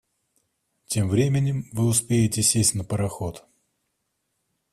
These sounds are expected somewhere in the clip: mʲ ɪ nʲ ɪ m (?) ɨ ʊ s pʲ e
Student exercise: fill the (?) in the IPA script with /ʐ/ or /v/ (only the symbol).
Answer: v